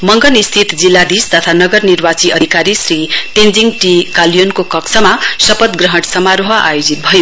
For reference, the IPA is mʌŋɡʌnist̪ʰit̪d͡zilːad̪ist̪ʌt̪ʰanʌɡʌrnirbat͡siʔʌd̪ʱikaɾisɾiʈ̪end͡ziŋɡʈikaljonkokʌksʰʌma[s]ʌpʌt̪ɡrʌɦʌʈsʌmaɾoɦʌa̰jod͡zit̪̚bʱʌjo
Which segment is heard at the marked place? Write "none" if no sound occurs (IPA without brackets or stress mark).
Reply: s